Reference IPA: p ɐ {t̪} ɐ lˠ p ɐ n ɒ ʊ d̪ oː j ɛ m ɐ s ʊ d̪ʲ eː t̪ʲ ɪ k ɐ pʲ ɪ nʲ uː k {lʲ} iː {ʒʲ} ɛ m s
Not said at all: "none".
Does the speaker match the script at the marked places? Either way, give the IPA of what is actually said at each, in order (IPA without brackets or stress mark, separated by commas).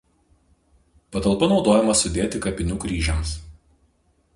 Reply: t̪, ɾʲ, ʒʲ